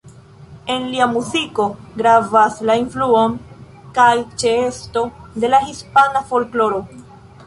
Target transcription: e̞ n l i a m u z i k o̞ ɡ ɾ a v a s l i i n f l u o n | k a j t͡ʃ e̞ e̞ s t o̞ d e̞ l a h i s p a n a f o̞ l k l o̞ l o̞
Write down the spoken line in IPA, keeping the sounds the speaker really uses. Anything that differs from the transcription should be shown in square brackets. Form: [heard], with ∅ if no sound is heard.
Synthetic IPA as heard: e̞ n l i a m u z i k o̞ ɡ ɾ a v a s l [a] i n f l u o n | k a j t͡ʃ e̞ e̞ s t o̞ d e̞ l a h i s p a n a f o̞ l k l o̞ [ɾ] o̞